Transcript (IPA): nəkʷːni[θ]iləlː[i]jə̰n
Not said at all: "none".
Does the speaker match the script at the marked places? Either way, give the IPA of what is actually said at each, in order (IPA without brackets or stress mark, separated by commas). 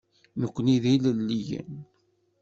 ð, i